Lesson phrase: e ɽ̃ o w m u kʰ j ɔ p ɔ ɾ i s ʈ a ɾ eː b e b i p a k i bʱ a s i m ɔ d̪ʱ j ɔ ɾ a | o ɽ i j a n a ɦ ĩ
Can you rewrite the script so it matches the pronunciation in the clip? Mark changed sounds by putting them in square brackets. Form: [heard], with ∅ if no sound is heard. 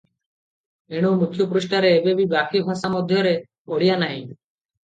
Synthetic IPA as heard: e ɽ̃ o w m u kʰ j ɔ p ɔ ɾ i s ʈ a ɾ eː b e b i [b] a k i bʱ a s [a] m ɔ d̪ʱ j ɔ ɾ [e] | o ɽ i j a n a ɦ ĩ